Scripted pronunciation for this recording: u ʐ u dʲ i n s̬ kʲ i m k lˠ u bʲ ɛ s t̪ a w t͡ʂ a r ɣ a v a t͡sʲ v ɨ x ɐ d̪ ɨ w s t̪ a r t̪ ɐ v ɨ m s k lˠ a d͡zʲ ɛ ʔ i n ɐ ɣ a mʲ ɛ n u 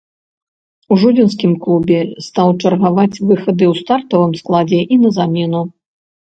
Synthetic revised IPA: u ʐ u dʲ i n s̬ kʲ i m k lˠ u bʲ ɛ s t̪ a w t͡ʂ ɐ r ɣ a v a t͡sʲ v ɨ x ɐ d̪ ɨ w s t̪ a r t̪ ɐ v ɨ m s k lˠ a d͡zʲ ɛ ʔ i n ɐ z a mʲ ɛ n u